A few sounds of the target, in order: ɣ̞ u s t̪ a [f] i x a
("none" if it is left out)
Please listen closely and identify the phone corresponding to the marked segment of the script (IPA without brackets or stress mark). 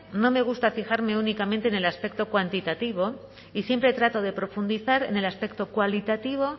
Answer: f